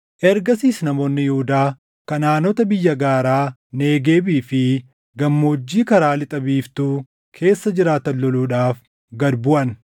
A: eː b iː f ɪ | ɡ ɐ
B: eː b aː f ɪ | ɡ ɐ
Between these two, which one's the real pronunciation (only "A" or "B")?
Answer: A